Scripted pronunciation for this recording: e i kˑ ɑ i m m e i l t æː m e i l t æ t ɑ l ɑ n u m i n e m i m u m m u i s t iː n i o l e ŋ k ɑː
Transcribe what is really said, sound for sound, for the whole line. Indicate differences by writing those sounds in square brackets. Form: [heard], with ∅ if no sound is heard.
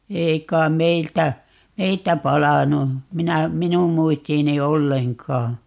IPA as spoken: e i kˑ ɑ i m m e i l t [æ] m e i l t æ [p] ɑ l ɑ n u m i n [æ] m i [n] u m m u i s t iː n i o [lː] e ŋ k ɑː